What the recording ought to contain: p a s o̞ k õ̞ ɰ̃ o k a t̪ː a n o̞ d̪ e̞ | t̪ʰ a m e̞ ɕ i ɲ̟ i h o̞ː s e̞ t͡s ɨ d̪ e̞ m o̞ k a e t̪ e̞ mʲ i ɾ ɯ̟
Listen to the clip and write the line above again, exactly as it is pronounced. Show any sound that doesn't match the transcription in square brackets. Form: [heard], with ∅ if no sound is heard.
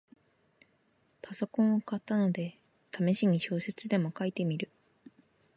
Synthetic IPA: p a s o̞ k õ̞ ɰ̃ o k a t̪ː a n o̞ d̪ e̞ | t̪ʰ a m e̞ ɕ i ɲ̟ i [ɕ] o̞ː s e̞ t͡s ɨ d̪ e̞ m o̞ k a [i] t̪ e̞ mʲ i ɾ ɯ̟